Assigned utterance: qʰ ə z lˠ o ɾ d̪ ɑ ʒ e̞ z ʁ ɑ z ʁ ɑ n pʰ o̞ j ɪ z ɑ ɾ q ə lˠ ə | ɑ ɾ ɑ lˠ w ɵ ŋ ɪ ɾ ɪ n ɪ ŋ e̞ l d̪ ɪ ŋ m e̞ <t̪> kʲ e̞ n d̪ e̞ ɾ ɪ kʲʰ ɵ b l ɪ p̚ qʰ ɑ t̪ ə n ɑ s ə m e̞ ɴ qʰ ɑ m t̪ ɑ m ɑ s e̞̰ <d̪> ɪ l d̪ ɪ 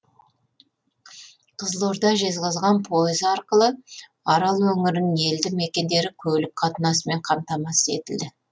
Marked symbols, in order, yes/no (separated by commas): no, no